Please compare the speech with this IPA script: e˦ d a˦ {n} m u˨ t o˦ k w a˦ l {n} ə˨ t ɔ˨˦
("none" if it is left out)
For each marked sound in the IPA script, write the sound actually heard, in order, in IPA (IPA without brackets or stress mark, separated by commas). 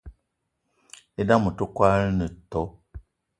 none, n